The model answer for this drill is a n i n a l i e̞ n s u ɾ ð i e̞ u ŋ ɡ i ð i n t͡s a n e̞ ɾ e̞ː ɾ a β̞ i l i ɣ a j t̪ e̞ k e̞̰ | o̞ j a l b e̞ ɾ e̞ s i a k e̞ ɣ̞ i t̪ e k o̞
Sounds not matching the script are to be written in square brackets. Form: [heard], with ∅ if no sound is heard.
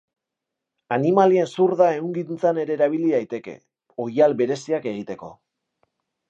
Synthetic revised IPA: a n i [m] a l i e̞ n s u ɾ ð [a] e̞ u ŋ ɡ i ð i n t͡s a n e̞ ɾ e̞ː ɾ a β̞ i l i [ð] a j t̪ e̞ k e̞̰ | o̞ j a l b e̞ ɾ e̞ s i a k e̞ ɣ̞ i t̪ e k o̞